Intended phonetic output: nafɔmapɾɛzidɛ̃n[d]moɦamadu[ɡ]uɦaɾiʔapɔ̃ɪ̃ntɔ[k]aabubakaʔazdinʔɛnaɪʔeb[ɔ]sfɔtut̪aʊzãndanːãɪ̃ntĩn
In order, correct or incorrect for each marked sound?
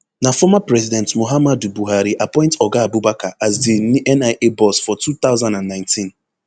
incorrect: t, incorrect: b, incorrect: ɡ, correct

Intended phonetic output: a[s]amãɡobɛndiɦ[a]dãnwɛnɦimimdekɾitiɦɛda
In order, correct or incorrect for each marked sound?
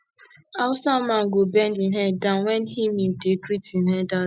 correct, incorrect: ɛ

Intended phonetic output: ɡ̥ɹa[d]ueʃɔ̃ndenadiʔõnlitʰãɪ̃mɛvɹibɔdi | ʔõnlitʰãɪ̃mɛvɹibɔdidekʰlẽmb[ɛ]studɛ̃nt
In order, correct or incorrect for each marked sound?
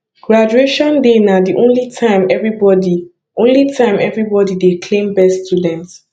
incorrect: d͡ʒ, correct

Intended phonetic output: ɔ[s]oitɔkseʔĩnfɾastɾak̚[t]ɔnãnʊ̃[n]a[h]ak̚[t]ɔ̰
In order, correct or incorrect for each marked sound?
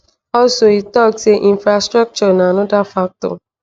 correct, incorrect: t͡ʃ, incorrect: d, incorrect: f, correct

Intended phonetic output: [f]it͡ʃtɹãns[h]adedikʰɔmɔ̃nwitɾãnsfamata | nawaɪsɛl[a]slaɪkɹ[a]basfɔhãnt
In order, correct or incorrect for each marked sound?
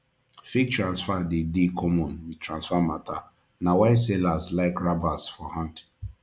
correct, incorrect: f, correct, correct

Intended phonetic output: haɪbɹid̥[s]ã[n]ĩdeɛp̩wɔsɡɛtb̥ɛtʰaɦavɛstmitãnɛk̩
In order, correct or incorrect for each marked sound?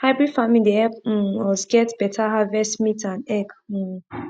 incorrect: f, incorrect: m

